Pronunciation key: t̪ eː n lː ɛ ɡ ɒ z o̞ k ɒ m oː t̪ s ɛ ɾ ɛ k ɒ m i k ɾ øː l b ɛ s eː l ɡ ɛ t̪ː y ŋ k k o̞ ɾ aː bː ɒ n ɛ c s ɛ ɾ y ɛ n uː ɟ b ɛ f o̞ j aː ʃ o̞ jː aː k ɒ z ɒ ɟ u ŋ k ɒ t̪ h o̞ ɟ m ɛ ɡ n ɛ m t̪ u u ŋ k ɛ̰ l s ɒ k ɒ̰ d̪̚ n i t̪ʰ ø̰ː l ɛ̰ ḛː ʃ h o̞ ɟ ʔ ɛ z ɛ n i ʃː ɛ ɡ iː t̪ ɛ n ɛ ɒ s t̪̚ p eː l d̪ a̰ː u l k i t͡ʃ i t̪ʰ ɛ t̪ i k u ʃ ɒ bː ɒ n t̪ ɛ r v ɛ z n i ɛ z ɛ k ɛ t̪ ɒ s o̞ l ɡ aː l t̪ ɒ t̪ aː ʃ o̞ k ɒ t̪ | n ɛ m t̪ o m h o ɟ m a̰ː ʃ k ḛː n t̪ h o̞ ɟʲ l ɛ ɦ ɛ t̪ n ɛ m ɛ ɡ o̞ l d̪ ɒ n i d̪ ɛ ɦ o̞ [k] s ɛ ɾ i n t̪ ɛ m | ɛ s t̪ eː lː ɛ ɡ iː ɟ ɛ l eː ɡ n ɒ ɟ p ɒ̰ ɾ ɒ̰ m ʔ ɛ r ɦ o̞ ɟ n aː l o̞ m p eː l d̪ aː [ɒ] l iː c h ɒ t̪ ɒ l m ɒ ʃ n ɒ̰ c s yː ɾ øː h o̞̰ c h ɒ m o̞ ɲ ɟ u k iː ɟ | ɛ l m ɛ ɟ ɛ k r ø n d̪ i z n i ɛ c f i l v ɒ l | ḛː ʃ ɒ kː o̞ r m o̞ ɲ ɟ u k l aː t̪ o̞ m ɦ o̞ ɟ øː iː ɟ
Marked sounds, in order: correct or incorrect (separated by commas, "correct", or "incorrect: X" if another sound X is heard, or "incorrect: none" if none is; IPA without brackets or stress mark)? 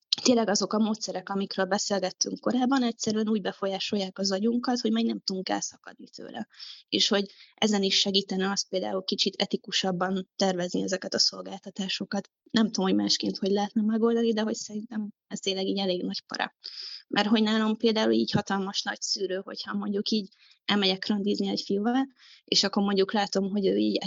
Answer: incorrect: c, incorrect: u